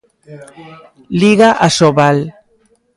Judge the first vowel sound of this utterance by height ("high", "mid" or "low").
high